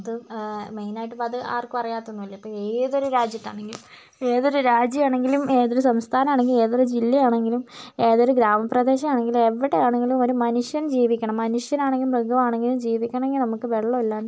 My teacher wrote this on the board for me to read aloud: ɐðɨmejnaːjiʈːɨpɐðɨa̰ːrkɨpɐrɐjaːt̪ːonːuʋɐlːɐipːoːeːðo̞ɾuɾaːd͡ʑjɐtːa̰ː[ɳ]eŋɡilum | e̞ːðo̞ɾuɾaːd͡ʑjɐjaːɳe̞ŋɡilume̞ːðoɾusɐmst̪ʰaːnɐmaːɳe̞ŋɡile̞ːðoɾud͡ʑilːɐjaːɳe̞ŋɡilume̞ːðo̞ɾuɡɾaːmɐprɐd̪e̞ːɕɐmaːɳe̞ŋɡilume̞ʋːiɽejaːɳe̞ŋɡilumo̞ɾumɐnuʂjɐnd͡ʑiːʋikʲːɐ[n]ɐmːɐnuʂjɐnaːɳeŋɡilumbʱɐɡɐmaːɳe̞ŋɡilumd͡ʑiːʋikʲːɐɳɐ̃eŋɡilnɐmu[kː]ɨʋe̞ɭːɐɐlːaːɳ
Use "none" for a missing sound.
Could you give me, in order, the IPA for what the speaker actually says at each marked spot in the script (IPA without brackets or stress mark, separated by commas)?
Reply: ɳ, ɳ, kː